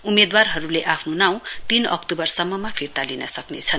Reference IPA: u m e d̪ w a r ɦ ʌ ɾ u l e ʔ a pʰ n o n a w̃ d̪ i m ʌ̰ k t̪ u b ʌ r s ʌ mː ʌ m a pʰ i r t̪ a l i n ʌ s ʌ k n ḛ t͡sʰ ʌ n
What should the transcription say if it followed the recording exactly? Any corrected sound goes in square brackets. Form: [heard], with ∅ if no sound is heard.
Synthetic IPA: u m e d̪ w a r ɦ ʌ ɾ u l e ʔ a pʰ n o n a w̃ [t̪] i [n] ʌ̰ k t̪ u b ʌ r s ʌ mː ʌ m a pʰ i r t̪ a l i n ʌ s ʌ k n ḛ t͡sʰ ʌ n